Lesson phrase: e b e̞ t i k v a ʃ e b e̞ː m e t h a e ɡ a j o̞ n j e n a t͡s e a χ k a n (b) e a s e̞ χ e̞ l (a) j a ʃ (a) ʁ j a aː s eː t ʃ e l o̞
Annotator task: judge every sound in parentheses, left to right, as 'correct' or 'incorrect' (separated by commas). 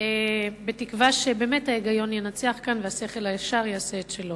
incorrect, correct, correct